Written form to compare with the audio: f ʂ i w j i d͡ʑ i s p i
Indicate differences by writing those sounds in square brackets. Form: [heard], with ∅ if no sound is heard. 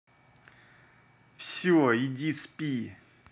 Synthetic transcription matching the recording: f [ɕ] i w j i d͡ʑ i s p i